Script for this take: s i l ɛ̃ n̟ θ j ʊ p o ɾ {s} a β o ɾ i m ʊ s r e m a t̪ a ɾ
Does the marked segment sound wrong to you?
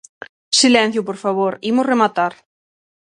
yes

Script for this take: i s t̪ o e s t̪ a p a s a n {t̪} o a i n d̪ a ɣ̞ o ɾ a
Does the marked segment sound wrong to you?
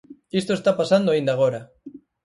yes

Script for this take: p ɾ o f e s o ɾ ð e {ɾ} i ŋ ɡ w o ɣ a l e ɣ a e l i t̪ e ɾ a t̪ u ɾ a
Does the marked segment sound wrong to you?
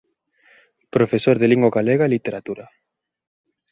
yes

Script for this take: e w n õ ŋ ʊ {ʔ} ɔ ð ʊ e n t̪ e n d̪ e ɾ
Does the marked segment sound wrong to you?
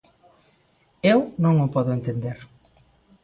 yes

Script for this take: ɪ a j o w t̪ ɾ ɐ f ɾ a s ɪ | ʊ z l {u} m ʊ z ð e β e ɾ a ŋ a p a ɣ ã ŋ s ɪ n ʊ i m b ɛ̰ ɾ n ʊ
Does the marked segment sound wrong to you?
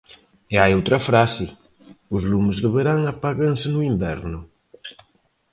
no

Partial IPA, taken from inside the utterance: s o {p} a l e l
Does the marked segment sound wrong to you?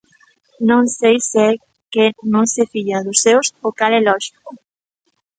yes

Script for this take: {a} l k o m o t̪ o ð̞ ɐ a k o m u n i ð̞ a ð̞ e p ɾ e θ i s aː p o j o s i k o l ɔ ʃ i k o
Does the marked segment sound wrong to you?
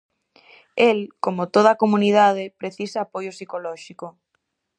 yes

